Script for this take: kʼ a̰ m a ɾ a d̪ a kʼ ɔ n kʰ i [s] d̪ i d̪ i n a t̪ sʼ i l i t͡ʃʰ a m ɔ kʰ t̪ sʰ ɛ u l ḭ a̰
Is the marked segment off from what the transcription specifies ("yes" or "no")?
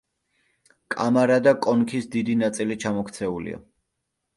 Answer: no